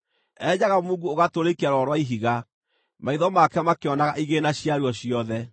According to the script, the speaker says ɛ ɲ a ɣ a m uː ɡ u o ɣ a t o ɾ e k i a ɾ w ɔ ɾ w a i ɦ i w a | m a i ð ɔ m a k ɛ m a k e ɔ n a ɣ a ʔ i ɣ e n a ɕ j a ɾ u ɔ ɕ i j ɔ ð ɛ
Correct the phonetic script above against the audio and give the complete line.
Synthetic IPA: ɛ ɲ a ɣ a m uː ɡ u o ɣ a t o ɾ e k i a ɾ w ɔ ɾ w a i ɦ i ɣ a | m a i ð ɔ m a k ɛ m a k e ɔ n a ɣ a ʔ i ɣ e n a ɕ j a ɾ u ɔ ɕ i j ɔ ð ɛ